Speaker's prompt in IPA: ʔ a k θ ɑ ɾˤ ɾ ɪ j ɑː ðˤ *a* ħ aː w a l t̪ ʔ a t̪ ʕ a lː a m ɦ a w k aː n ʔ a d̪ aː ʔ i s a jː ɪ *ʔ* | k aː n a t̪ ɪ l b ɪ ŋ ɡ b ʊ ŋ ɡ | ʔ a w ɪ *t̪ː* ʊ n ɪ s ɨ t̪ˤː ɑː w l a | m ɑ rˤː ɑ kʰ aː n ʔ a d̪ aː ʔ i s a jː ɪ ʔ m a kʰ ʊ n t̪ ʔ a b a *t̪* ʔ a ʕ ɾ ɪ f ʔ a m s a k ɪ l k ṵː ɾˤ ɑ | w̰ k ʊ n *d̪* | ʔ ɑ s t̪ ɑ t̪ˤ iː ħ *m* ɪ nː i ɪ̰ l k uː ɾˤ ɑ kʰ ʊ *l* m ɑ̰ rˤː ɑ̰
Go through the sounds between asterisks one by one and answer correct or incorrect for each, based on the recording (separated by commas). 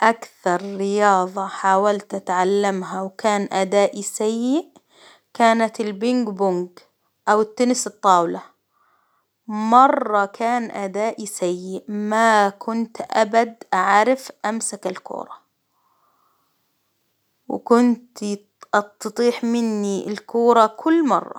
incorrect, correct, correct, incorrect, incorrect, correct, incorrect